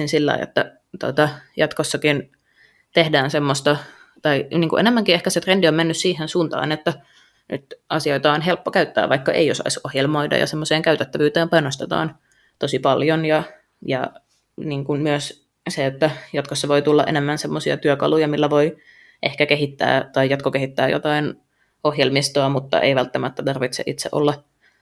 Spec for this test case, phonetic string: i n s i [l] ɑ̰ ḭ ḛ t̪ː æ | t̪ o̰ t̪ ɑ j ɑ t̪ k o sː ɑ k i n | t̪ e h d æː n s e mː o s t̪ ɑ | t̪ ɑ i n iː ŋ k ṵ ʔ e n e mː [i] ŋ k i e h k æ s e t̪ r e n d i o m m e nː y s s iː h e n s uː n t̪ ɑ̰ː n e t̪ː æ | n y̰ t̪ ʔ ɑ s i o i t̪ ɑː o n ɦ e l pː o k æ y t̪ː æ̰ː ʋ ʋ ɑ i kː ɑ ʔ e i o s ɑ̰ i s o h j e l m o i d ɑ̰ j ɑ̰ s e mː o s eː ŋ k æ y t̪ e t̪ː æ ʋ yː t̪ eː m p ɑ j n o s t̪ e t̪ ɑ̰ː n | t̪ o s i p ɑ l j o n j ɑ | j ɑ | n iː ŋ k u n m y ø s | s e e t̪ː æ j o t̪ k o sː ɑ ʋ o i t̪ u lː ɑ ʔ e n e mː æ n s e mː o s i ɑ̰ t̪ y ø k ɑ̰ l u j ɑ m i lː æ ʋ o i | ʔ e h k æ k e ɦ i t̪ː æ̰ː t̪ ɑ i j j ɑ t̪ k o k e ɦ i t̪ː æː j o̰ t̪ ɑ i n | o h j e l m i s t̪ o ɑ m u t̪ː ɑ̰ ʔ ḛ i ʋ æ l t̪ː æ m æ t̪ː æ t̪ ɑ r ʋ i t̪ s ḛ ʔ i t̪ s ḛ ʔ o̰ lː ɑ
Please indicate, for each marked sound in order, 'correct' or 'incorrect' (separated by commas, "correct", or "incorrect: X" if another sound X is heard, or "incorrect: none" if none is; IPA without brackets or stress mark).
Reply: incorrect: lː, incorrect: æ